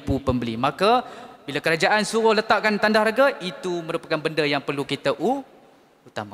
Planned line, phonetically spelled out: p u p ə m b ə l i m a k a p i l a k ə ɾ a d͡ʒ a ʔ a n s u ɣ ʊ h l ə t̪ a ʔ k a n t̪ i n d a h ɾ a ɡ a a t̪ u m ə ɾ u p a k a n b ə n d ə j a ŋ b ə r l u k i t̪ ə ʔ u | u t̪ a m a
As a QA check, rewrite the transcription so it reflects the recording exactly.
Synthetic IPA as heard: p u p ə m b ə l i m a k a b i l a k ə ɾ a d͡ʒ a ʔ a n s u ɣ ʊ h l ə t̪ a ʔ k a n t̪ a n d a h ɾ a ɡ a i t̪ u m ə ɾ u p a k a n b ə n d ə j a ŋ p ə r l u k i t̪ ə ʔ u | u t̪ a m a